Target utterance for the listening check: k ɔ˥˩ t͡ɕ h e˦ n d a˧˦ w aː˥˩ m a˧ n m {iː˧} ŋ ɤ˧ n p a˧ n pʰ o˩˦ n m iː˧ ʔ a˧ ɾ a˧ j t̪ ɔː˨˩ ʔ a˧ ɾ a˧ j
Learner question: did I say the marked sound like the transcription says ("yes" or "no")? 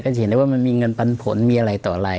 yes